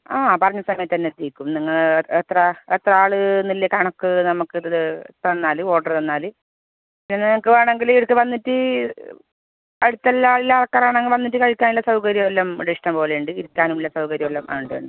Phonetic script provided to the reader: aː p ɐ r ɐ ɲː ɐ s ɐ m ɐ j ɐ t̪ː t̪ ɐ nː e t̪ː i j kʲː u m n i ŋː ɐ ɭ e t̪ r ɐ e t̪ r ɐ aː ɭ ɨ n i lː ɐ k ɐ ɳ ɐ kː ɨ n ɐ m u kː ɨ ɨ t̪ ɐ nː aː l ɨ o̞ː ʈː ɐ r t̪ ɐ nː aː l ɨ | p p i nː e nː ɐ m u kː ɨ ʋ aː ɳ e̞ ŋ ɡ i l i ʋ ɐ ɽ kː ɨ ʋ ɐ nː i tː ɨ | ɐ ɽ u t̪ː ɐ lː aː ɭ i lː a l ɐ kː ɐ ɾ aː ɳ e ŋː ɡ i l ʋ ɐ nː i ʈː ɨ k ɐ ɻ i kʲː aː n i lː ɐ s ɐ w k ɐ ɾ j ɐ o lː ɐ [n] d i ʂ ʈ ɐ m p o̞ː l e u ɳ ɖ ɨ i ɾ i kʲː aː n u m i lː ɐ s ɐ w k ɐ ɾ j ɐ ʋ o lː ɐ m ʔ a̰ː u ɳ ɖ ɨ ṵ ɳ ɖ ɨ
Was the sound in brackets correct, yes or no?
no